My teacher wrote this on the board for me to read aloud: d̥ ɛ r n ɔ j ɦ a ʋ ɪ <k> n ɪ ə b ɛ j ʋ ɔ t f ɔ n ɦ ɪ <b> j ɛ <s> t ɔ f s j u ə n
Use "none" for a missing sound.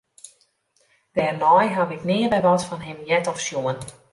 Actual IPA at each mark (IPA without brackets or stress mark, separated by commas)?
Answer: k, m, none